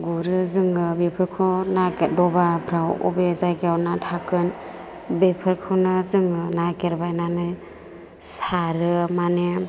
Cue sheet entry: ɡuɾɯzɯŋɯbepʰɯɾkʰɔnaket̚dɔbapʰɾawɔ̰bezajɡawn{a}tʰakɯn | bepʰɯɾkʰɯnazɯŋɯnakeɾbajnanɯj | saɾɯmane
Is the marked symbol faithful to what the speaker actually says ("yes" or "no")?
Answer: yes